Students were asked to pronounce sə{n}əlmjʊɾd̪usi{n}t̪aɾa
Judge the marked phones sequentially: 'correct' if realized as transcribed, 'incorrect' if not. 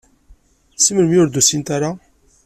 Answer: incorrect, correct

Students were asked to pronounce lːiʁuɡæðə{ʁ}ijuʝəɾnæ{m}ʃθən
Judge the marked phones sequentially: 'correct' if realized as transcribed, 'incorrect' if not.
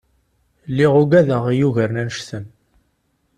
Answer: correct, incorrect

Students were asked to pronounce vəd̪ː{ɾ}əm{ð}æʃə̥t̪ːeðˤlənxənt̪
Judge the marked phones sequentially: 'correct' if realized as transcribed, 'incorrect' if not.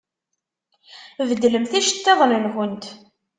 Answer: incorrect, incorrect

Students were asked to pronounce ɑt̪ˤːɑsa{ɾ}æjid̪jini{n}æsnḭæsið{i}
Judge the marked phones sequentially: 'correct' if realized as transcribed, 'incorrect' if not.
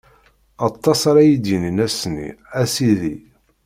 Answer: correct, correct, correct

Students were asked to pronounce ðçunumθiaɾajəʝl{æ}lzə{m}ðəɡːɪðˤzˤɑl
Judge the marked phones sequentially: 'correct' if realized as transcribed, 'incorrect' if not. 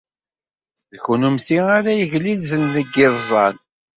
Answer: incorrect, incorrect

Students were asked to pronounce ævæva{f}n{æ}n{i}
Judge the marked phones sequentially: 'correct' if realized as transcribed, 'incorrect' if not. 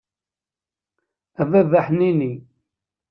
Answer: incorrect, incorrect, correct

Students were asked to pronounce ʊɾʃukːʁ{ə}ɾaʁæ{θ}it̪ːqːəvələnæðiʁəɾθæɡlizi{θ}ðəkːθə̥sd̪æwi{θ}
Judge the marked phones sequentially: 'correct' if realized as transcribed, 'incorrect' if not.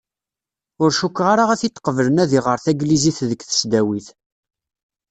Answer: incorrect, correct, correct, correct

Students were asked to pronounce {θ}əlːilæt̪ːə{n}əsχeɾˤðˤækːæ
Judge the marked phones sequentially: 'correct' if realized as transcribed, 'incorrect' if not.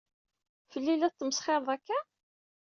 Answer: incorrect, incorrect

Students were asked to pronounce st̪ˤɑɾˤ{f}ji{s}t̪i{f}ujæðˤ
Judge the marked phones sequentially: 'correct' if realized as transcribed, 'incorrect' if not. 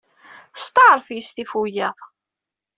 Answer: correct, correct, correct

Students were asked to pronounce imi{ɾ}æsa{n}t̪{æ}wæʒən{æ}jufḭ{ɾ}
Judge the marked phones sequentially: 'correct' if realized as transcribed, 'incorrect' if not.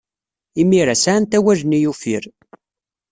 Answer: correct, correct, correct, incorrect, correct

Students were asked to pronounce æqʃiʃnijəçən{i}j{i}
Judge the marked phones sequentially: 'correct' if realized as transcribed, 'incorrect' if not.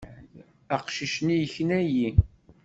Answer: incorrect, correct

